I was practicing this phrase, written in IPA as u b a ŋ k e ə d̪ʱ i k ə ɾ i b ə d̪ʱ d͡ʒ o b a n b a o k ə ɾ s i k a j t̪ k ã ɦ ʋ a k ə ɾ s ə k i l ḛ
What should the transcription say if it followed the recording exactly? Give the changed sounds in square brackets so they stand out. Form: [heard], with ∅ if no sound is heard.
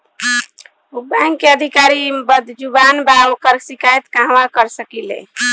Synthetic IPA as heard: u b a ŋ k e ə d̪ʱ i k [a] ɾ i b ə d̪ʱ d͡ʒ [u] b a n b a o k ə ɾ s i k a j t̪ k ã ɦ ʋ a k ə ɾ s ə k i l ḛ